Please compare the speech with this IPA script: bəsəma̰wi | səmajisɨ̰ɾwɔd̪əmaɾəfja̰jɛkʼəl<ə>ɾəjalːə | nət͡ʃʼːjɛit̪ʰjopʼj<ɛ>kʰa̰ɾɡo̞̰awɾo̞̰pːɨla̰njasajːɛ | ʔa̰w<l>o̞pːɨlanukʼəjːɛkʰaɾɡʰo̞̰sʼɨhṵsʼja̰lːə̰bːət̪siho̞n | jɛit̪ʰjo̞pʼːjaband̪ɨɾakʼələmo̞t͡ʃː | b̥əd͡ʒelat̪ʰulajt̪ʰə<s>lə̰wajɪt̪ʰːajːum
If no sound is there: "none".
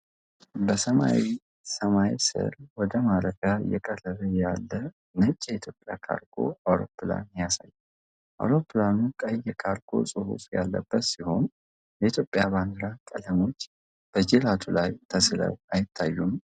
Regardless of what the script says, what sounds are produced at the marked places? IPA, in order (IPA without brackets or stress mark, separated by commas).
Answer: ə, a, ɾ, s